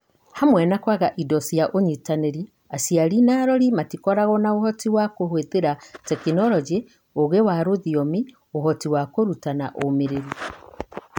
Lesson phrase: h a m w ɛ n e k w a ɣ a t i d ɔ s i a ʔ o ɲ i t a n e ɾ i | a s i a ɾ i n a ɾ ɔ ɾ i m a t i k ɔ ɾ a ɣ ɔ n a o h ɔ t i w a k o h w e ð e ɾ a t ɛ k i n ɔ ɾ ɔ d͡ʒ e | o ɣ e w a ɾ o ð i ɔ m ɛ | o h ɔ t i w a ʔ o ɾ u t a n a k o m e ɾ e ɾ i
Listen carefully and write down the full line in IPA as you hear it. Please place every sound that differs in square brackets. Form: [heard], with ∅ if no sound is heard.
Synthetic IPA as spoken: h a m w ɛ n [a] k w a ɣ a [ʔ] i d ɔ s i a ʔ o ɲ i t a n e ɾ i | a s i a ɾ i n a ɾ ɔ ɾ i m a t i k ɔ ɾ a ɣ ɔ n a o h ɔ t i w a k o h w e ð e ɾ a t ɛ k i n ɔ ɾ ɔ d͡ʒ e | o ɣ e w a ɾ o ð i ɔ m [i] | o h ɔ t i w a [k] o ɾ u t a n a [ʔ] o m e ɾ e ɾ i